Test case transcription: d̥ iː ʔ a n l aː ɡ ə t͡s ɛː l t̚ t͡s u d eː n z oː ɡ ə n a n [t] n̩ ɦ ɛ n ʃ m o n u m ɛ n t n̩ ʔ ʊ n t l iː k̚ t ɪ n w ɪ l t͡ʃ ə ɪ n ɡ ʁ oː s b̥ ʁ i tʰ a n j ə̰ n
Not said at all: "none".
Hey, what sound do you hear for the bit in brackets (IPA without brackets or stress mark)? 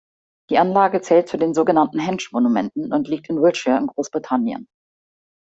t